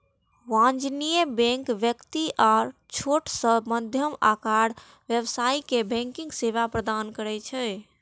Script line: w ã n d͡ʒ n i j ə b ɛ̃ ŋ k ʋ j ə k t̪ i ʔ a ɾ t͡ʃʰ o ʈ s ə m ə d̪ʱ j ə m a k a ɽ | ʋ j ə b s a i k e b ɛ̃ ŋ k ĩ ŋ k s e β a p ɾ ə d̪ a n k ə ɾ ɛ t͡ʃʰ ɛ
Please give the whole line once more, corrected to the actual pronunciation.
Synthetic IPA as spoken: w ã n d͡ʒ n i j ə b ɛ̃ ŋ k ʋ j ə k t̪ i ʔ a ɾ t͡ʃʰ o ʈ s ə m ə d̪ʱ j ə m a k a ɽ | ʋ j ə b s a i k e b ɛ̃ ŋ k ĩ ŋ ɡ s e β a p ɾ ə d̪ a n k ə ɾ ɛ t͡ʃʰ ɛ